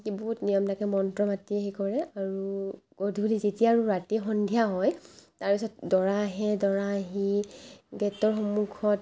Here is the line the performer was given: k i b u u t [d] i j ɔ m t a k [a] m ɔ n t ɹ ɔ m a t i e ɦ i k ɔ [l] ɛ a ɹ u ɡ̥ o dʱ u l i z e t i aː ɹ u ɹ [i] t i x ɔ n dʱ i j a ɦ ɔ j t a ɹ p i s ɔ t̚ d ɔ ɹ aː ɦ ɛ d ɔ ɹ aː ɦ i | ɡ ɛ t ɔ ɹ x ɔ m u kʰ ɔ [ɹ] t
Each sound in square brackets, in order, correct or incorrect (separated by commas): incorrect, incorrect, incorrect, incorrect, incorrect